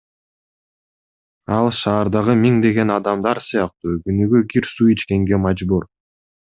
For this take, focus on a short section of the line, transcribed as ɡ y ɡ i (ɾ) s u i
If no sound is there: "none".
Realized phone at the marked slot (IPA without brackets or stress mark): ɾ